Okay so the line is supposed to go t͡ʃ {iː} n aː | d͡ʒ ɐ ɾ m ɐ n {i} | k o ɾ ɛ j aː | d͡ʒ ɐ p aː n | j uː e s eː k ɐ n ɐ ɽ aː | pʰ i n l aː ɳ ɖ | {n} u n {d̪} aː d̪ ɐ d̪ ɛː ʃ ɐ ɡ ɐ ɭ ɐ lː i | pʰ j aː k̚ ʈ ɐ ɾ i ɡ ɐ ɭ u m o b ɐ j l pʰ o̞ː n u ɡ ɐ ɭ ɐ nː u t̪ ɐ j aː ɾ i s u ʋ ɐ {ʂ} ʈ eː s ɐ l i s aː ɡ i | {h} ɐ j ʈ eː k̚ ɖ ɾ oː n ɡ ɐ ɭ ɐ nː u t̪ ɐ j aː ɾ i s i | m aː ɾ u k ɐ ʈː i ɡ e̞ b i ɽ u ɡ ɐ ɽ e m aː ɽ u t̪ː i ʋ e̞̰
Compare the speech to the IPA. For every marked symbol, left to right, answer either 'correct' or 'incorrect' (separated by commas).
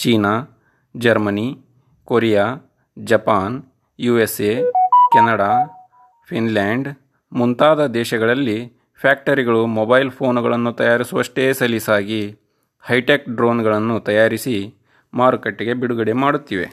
correct, correct, incorrect, incorrect, correct, correct